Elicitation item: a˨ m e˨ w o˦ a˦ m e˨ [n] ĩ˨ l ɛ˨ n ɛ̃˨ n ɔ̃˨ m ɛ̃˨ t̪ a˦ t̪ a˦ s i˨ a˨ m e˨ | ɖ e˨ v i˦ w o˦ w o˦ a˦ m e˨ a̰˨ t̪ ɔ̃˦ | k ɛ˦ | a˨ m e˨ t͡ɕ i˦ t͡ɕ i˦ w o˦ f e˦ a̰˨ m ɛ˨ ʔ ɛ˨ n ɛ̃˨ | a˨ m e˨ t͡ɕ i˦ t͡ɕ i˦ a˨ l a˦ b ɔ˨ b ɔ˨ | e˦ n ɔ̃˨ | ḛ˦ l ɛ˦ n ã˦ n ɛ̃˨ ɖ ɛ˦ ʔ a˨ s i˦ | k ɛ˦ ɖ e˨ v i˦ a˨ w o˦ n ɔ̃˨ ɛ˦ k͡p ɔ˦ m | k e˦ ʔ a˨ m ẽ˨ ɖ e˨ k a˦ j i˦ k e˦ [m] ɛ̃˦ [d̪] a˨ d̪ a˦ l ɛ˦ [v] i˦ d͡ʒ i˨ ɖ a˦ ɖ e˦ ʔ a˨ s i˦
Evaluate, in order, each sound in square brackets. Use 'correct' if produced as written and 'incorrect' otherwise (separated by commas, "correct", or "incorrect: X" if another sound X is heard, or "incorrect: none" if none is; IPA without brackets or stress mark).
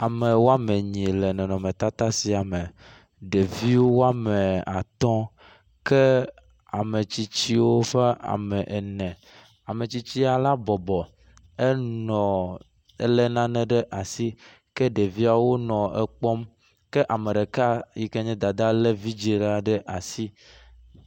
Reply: incorrect: ɲ, incorrect: ɲ, correct, correct